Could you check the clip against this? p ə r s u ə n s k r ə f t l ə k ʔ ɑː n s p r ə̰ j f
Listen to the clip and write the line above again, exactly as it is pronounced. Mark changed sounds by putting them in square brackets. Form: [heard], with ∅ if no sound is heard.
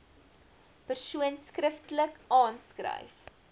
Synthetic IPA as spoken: p ə r s u ə n s k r ə f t l ə k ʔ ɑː n s [k] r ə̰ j f